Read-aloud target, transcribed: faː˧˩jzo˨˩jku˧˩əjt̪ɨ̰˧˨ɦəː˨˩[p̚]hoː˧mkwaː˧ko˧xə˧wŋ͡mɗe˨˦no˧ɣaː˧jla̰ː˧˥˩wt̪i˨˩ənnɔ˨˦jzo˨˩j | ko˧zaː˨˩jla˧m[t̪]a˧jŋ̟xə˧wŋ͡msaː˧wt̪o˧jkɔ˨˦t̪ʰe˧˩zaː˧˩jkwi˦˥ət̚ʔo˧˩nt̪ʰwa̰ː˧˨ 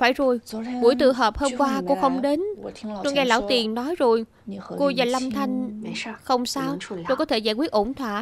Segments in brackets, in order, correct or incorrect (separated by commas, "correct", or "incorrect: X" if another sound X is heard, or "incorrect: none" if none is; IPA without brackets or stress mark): correct, incorrect: t̪ʰ